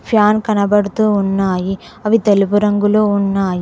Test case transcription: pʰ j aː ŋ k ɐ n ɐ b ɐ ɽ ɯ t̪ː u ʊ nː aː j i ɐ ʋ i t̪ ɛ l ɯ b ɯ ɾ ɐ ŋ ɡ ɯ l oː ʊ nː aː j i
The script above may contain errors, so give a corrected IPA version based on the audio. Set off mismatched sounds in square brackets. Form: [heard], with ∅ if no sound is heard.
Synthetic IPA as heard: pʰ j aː [n] k ɐ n ɐ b ɐ ɽ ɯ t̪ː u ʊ nː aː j i ɐ ʋ i t̪ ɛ l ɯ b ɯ ɾ ɐ ŋ ɡ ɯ l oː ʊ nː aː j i